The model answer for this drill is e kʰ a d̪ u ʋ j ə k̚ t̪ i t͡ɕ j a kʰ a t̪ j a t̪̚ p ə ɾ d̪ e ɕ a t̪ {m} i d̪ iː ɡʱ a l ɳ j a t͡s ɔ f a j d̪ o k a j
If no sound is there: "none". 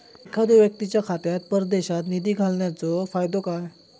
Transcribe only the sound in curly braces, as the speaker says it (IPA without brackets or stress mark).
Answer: n